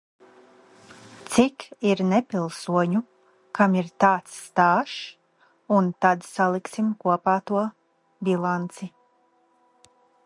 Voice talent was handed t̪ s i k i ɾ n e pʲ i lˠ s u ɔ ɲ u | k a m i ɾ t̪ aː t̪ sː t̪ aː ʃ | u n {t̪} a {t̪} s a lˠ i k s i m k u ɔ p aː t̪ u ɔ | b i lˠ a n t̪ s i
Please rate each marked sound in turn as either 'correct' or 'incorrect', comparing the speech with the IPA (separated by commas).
correct, incorrect